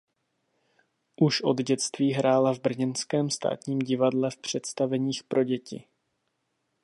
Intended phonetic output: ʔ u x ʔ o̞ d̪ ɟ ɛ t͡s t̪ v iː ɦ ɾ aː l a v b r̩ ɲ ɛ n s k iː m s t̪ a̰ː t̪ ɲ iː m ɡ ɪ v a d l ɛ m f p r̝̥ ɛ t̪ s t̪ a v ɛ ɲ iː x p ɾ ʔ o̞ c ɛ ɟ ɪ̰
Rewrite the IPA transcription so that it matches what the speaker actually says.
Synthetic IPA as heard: ʔ u ʃ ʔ o̞ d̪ ɟ ɛ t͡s t̪ v iː ɦ ɾ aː l a v b r̩ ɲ ɛ n s k ɛː m s t̪ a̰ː t̪ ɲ iː m ɟ ɪ v a d l ɛ f p r̝̥ ɛ t̪ s t̪ a v ɛ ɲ iː x p ɾ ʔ o̞ ɟ ɛ c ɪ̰

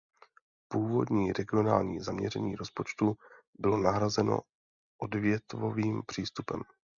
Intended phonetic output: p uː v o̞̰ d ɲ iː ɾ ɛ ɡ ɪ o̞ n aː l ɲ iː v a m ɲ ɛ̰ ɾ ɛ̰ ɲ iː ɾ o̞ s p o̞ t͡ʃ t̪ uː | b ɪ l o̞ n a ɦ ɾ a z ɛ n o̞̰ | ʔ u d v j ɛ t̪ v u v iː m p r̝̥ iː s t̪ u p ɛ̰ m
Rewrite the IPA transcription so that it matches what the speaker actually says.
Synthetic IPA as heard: p uː v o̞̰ d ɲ iː ɾ ɛ ɡ ɪ o̞ n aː l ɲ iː z a m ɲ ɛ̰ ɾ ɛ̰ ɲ iː ɾ o̞ s p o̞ t͡ʃ t̪ u | b ɪ l o̞ n a ɦ ɾ a z ɛ n o̞̰ | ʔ o d v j ɛ t̪ v o v iː m p r̝̥ iː s t̪ u p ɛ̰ m

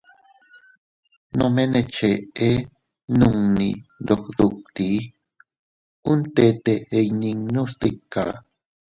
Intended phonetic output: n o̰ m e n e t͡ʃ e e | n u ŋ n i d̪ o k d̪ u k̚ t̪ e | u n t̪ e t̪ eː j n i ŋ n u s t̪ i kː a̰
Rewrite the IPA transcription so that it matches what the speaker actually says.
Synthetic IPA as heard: n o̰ m e n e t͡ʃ e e | n u ŋ n i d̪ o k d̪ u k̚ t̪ i | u n t̪ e t̪ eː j n i ŋ n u s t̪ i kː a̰

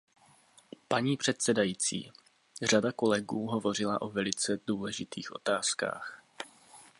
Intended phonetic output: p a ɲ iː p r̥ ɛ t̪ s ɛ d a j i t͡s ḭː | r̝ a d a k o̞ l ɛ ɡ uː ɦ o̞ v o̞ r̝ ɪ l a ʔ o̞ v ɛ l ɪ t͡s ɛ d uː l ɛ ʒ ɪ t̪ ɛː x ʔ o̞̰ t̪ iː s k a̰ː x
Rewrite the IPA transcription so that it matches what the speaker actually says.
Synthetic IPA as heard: p a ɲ iː p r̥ ɛ t̪ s ɛ d a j i t͡s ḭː | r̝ a d a k o̞ l ɛ ɡ uː ɦ o̞ v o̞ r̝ ɪ l a ʔ o̞ v ɛ l ɪ t͡s ɛ d uː l ɛ ʒ ɪ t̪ iː x ʔ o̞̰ t̪ aː s k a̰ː x

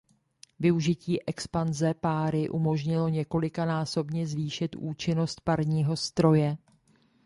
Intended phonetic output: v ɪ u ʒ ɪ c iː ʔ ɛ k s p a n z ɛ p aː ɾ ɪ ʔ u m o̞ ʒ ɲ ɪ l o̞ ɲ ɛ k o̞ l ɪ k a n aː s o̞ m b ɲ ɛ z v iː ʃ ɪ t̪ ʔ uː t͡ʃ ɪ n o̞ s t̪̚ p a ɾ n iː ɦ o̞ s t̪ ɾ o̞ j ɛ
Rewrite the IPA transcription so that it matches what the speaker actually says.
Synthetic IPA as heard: v ɪ u ʒ ɪ c iː ʔ ɛ k s p a n z ɛ p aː ɾ ɪ ʔ u m o̞ ʒ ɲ ɪ l o̞ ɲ ɛ k o̞ l ɪ k a n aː s o̞ b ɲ ɛ z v iː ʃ ɪ t̪ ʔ uː t͡ʃ ɪ n o̞ s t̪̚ p a ɾ ɲ iː ɦ o̞ s t̪ ɾ o̞ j ɛ

